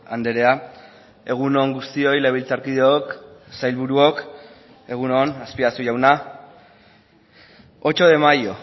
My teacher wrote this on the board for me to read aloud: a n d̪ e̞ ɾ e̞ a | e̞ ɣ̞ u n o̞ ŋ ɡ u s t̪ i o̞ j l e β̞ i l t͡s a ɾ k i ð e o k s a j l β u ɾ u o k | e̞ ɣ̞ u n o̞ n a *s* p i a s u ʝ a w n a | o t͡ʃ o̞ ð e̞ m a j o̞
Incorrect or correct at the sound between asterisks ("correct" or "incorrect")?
correct